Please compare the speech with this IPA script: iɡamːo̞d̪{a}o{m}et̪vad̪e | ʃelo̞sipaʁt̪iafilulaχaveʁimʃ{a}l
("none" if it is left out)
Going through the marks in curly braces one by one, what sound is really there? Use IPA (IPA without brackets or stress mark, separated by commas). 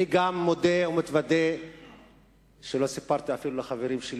e, m, e